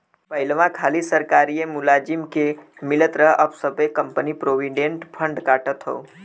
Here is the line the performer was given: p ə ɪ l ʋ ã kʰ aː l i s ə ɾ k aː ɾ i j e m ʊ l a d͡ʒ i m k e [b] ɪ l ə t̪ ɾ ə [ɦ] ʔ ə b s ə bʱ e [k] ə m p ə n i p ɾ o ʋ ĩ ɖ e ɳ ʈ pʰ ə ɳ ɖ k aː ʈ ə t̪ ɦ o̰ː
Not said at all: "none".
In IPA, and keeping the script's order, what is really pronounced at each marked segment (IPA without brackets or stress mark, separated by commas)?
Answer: m, ɦ, k